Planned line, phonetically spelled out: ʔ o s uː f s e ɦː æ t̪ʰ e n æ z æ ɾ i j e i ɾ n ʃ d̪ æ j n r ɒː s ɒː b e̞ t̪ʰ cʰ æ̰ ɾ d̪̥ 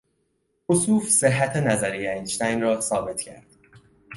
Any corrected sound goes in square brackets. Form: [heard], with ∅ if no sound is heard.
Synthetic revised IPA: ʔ o s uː f s e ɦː æ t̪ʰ e n æ z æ ɾ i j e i [∅] n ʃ [t̪] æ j n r ɒː s ɒː b e̞ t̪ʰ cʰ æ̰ ɾ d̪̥